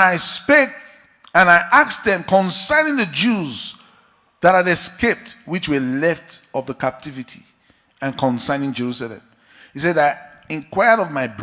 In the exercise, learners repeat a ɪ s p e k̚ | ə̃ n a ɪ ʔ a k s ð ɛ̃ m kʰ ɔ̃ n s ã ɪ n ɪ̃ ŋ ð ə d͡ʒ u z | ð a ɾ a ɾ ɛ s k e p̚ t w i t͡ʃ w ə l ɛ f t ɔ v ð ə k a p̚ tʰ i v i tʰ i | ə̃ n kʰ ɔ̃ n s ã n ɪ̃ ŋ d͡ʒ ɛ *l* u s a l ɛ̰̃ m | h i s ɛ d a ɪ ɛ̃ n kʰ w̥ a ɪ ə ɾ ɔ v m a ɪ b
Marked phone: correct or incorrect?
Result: incorrect